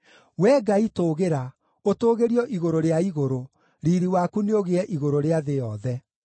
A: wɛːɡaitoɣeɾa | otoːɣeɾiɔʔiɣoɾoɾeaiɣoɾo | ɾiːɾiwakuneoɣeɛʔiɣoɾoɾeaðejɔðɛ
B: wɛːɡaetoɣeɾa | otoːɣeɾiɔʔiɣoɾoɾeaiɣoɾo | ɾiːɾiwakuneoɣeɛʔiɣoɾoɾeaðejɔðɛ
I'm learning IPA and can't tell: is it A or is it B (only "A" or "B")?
A